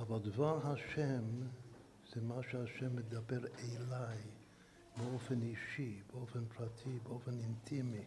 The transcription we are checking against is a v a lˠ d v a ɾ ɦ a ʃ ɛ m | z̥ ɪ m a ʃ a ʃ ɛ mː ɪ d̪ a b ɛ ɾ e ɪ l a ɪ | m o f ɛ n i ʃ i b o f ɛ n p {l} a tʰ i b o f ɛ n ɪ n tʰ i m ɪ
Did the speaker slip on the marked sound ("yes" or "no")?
yes